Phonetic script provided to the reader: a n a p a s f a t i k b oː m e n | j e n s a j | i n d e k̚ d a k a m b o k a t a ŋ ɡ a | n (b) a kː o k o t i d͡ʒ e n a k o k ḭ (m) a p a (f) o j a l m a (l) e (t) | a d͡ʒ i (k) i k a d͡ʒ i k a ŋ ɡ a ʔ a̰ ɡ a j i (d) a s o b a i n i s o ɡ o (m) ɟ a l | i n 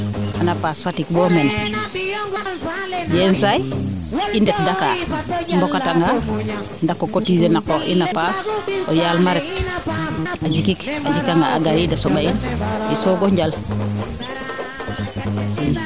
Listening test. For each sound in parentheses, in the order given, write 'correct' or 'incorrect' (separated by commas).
incorrect, incorrect, incorrect, incorrect, correct, correct, correct, incorrect